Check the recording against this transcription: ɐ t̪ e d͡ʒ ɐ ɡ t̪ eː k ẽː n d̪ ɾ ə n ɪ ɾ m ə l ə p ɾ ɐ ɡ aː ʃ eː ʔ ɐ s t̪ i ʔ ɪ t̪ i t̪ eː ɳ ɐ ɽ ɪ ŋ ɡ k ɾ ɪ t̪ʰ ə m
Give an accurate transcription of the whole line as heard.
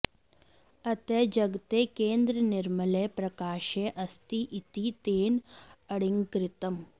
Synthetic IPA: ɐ t̪ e d͡ʒ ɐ ɡ t̪ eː k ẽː n d̪ ɾ ə n ɪ ɾ m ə l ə p ɾ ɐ k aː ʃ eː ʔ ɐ s t̪ i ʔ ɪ t̪ i t̪ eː n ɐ ɽ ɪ ŋ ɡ k ɾ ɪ t̪ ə m